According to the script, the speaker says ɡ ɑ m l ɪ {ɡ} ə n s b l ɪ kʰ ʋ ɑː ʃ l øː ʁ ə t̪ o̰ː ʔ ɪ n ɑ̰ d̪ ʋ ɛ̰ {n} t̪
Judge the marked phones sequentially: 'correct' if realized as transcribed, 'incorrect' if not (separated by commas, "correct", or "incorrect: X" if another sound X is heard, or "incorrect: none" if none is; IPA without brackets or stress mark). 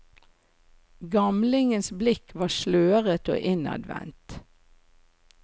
incorrect: ŋ, correct